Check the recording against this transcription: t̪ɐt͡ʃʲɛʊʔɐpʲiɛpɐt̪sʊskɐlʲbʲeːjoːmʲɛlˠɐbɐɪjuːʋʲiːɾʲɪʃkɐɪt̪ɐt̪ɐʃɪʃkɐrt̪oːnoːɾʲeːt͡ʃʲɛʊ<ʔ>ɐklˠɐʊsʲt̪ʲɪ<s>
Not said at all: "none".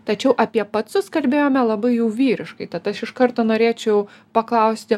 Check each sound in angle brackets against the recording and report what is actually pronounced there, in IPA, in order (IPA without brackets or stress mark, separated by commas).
p, none